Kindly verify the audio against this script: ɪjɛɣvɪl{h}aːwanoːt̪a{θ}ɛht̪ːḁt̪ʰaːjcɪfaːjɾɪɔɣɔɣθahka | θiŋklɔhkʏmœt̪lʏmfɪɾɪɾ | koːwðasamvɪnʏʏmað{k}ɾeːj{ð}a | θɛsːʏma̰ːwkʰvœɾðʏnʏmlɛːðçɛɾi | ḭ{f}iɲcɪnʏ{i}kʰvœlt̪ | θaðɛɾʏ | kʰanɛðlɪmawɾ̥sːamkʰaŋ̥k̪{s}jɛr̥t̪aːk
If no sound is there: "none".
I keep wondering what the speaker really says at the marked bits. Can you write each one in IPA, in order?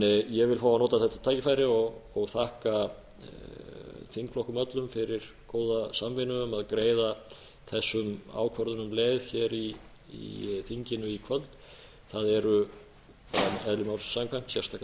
f, θ, k, ð, θ, i, s

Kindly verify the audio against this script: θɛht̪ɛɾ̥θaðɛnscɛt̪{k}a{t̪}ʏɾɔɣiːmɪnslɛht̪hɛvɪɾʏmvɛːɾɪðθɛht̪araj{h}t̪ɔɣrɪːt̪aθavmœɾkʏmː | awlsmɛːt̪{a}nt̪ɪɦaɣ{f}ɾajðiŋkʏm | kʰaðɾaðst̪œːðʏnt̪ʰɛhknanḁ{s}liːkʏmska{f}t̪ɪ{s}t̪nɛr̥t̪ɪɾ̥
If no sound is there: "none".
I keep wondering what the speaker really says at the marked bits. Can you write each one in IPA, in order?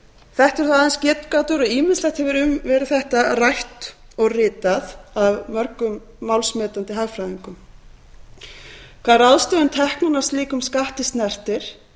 k, t̪, h, a, f, s, h, s

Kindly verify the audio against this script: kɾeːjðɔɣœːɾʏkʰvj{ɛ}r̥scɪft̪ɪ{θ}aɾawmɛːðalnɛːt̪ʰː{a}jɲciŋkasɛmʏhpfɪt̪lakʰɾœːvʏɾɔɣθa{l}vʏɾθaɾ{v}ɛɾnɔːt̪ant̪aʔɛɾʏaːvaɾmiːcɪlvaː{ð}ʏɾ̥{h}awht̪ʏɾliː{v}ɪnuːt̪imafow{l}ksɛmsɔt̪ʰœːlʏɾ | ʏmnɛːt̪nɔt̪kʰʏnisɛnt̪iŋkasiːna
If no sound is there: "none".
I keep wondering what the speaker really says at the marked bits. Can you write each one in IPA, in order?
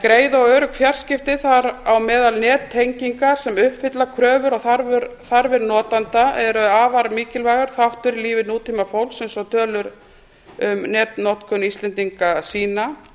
a, θ, e, ɾ, v, ɣ, θ, v, l

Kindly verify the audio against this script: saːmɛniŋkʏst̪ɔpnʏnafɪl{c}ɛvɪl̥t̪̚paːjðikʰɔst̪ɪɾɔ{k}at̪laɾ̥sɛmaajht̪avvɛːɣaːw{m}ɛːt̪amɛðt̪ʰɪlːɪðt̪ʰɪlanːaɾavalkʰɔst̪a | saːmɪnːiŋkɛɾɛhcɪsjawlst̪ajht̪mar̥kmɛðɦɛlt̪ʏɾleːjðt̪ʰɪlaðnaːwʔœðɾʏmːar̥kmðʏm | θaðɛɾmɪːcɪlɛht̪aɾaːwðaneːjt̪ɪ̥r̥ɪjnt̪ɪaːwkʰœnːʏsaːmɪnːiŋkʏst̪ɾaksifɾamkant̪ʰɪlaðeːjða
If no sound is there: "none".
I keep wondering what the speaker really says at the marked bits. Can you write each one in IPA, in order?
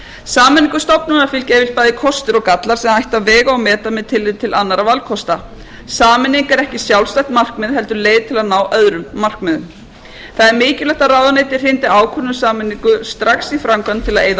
c, k, m

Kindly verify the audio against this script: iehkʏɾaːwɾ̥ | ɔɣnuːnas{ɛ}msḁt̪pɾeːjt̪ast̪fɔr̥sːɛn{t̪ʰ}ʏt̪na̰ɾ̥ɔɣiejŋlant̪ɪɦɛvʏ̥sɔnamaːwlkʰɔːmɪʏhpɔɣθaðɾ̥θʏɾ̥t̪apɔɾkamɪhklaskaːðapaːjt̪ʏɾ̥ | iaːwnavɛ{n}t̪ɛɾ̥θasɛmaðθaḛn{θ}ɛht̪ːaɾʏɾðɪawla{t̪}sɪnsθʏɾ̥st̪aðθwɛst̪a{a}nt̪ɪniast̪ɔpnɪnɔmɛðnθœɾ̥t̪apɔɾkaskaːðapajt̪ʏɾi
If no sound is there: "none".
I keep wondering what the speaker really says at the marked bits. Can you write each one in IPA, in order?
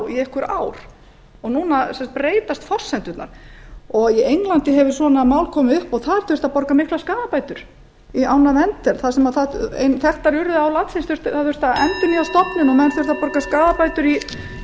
ɛ, t̪, n, θ, t̪, ɛ

